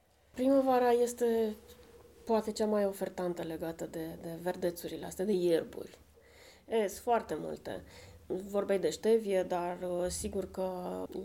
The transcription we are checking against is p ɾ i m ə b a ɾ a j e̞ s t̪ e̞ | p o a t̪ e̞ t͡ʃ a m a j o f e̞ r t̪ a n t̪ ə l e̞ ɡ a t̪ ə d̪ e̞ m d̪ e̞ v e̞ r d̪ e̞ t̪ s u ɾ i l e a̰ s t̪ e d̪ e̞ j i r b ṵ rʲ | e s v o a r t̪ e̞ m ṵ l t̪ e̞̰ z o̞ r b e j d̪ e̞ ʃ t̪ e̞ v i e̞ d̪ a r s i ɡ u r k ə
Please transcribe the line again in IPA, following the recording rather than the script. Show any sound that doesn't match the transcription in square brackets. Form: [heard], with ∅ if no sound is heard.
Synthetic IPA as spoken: p ɾ i m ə [v] a ɾ a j e̞ s t̪ e̞ | p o a t̪ e̞ t͡ʃ a m a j o f e̞ r t̪ a n t̪ ə l e̞ ɡ a t̪ ə d̪ e̞ [∅] d̪ e̞ v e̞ r d̪ e̞ t̪ s u ɾ i l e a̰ s t̪ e d̪ e̞ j [e] r b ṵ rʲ | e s [f] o a r t̪ e̞ m ṵ l t̪ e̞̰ [v] o̞ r b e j d̪ e̞ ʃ t̪ e̞ v i e̞ d̪ a r s i ɡ u r k ə